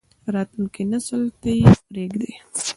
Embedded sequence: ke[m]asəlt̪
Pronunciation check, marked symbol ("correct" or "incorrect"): incorrect